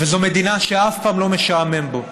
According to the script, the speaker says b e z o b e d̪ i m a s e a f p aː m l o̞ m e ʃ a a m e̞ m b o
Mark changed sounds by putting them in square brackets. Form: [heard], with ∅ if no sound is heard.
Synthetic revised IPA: [v] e z o [m] e d̪ i [n] a [ʃ] e a f p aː m l o̞ m e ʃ a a m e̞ m b o